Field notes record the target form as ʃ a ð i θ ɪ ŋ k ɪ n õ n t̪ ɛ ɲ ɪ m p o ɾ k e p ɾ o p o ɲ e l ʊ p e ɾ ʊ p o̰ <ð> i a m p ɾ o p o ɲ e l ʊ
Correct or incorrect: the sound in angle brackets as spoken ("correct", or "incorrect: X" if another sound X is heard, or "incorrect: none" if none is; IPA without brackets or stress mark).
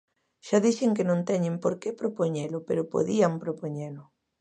correct